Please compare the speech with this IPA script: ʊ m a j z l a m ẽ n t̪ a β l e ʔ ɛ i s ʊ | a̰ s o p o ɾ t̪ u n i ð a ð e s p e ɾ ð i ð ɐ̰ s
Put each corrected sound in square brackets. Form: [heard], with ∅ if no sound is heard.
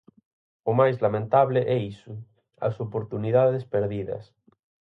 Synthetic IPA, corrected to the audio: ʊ m a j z l a m ẽ n t̪ a β l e ʔ ɛ i s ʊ | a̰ s o p o ɾ t̪ u n i ð a ð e s p e ɾ ð i ð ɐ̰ s